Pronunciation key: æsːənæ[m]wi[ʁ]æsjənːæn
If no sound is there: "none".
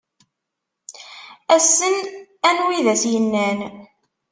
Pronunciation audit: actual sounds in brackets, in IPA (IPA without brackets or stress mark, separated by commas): n, ð